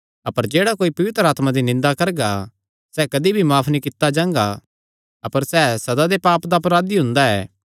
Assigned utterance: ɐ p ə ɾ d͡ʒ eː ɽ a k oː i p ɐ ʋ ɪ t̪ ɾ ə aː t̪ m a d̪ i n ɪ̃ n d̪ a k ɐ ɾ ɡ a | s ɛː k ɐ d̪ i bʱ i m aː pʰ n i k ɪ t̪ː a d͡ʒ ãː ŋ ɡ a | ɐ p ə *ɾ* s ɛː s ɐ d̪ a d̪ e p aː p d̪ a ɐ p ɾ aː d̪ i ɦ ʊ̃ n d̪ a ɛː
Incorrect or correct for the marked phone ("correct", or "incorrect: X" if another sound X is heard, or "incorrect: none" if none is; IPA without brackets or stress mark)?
correct